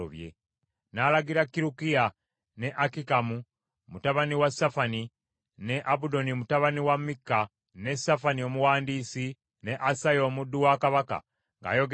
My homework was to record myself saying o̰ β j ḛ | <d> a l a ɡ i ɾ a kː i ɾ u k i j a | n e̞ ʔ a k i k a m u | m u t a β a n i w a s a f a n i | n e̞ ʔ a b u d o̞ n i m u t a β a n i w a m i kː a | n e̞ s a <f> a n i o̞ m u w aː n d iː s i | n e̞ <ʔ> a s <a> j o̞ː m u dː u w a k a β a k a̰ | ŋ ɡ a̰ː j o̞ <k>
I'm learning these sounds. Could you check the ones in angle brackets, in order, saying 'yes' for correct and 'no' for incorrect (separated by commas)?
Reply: no, yes, yes, yes, no